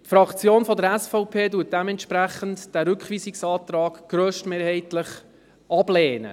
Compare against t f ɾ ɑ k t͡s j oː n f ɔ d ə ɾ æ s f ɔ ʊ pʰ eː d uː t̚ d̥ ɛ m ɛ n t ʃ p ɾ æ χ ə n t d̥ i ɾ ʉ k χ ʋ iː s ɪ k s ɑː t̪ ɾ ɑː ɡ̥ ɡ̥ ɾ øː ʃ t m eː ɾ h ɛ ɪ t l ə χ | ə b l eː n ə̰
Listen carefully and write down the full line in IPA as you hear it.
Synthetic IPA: t f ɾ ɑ k t͡s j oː n f ɔ d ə ɾ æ s f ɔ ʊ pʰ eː d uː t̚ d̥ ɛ m ɛ n t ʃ p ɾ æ χ ə n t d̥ æ ɾ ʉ k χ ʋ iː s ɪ k s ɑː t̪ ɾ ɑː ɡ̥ ɡ̥ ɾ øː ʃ t m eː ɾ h ɛ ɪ t l ə χ | ɑ b l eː n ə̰